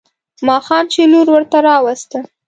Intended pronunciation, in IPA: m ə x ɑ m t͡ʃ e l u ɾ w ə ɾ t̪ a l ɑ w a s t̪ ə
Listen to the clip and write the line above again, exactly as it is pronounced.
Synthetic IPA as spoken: m ɑ x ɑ m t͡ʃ e l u ɾ w ə ɾ t̪ a ɾ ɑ w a s t̪ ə

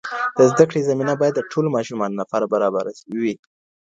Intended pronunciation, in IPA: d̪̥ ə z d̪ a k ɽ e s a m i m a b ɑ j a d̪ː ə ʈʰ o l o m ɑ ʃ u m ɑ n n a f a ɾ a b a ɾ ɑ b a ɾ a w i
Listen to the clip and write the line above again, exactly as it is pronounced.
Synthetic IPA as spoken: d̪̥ ə z d̪ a k ɽ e z a m i n a b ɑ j a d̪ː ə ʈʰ o l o m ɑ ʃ u m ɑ n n a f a ɾ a b a ɾ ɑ b a ɾ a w i

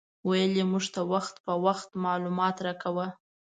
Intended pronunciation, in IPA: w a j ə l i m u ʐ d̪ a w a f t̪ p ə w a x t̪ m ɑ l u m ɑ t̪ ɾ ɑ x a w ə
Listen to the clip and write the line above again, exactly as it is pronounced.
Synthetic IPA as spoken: w a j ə l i m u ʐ t̪ a w a x t̪ p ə w a x t̪ m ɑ l u m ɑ t̪ ɾ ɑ k a w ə

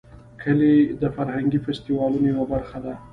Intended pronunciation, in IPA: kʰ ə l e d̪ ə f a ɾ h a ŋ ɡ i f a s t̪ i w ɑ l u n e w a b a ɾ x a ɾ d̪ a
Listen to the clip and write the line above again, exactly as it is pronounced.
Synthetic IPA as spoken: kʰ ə l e d̪ ə f a ɾ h a ŋ ɡ i f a s t̪ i w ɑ l u n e w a b a ɾ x a d̪ a

